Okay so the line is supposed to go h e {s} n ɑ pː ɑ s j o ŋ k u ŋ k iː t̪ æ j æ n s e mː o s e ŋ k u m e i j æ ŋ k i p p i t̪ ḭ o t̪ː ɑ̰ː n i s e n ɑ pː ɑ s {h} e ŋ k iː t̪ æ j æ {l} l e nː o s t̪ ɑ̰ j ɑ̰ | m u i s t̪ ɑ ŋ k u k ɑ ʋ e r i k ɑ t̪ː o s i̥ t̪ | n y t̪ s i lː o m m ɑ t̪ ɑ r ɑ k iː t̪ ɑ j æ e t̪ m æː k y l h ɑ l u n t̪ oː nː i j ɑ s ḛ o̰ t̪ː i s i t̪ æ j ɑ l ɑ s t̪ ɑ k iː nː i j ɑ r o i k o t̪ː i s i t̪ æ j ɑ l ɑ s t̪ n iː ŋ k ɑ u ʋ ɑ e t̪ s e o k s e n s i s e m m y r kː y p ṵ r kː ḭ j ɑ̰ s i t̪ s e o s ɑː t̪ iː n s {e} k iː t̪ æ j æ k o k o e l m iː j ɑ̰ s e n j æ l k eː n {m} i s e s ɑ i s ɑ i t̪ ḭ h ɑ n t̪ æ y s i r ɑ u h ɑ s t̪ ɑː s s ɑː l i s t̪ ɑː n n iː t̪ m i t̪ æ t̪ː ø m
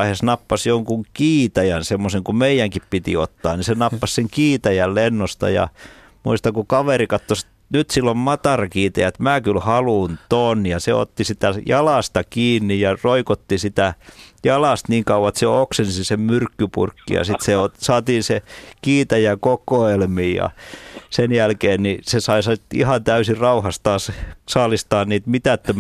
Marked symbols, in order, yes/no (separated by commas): yes, no, yes, yes, no